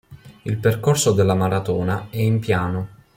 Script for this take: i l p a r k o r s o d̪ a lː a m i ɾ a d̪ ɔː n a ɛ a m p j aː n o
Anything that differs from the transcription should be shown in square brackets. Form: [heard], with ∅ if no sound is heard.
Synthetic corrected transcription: i l p [e] r k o r s o d̪ [e] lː a m [a] ɾ a [t̪] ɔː n a ɛ [i] m p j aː n o

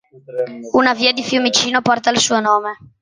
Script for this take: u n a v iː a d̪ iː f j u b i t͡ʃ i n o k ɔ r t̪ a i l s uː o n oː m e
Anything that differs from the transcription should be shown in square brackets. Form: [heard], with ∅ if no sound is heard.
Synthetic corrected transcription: u n a v iː a d̪ [i] f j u [m] i t͡ʃ [iː] n o [p] ɔ r t̪ a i l s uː o n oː m e

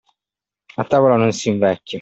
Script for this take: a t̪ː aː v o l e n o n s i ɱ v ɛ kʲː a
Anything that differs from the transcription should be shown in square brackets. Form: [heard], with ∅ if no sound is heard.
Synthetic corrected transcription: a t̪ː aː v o l [a] n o n s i ɱ v ɛ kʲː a

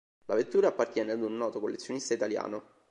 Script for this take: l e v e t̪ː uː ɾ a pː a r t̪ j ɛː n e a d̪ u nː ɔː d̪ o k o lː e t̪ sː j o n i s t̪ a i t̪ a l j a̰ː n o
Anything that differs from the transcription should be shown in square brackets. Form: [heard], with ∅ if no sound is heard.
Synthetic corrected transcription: l [a] v e t̪ː uː ɾ a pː a r t̪ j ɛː n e a d̪ u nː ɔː [t̪] o k o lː e t̪ sː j o n i s t̪ a i t̪ a l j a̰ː n o

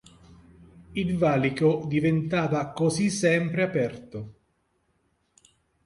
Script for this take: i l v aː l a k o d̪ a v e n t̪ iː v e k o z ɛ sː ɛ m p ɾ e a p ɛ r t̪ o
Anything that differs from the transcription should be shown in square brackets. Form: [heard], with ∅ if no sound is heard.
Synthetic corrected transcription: i l v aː l [i] k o d̪ [i] v e n t̪ [aː] v [a] k o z [i] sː ɛ m p ɾ e a p ɛ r t̪ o

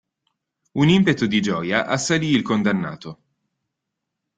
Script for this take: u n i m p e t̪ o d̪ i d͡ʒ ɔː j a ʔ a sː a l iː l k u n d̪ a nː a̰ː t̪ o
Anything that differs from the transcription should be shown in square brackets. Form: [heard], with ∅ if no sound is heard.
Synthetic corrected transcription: u n i m p e t̪ o d̪ i d͡ʒ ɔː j a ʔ a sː a l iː l k [o] n d̪ a nː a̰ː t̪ o

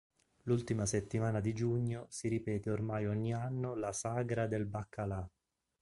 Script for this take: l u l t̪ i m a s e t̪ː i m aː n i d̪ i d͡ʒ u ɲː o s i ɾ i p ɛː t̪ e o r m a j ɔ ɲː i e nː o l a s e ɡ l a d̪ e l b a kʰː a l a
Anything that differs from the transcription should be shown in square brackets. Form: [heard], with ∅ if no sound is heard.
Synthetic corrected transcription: l u l t̪ i m a s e t̪ː i m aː n [a] d̪ i d͡ʒ u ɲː o s i ɾ i p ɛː t̪ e o r m a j ɔ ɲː i [a] nː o l a s [a] ɡ [ɾ] a d̪ e l b a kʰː a l a

